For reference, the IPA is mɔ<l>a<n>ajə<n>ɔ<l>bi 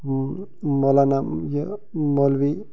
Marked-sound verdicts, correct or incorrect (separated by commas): correct, correct, incorrect, correct